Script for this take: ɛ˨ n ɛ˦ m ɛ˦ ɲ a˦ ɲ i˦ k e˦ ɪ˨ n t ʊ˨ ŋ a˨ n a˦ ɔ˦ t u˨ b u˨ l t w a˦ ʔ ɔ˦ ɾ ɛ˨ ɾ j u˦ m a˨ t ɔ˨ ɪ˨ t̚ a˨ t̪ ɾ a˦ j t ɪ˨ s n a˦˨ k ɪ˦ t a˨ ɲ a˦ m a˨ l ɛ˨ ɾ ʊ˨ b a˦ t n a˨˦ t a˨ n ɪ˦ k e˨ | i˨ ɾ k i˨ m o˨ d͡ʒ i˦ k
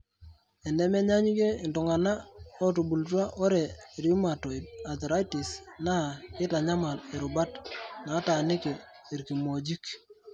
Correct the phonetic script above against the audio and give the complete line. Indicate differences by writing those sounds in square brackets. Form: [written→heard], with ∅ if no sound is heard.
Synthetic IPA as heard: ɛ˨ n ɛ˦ m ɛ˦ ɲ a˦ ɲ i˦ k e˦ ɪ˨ n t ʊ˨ ŋ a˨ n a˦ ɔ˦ t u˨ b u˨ l t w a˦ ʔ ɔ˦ ɾ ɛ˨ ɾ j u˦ m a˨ t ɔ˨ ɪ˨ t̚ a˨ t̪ ɾ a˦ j t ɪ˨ s n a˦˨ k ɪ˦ t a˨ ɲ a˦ m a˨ l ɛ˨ ɾ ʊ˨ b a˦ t n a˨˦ t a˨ n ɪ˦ k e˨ | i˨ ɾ k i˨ m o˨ d͡ʒ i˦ k